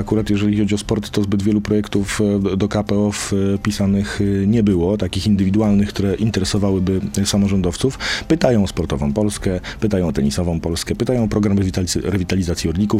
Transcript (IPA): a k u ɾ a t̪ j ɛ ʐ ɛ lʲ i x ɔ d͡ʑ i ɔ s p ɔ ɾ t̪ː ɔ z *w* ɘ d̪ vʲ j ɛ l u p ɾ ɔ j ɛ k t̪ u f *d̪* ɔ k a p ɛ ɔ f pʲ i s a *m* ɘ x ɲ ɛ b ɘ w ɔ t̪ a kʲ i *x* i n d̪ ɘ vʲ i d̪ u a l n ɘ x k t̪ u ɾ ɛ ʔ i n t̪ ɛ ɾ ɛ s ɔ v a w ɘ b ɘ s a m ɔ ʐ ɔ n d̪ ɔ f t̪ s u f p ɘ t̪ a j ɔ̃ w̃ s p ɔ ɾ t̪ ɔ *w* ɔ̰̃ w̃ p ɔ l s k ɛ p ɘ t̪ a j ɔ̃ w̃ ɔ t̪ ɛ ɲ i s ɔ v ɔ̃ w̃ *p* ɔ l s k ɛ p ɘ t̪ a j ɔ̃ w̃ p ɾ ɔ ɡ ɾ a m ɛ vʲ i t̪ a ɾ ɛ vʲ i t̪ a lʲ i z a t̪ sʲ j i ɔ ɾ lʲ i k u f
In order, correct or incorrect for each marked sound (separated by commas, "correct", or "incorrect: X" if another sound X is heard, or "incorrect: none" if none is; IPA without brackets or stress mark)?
incorrect: b, correct, incorrect: n, correct, incorrect: v, correct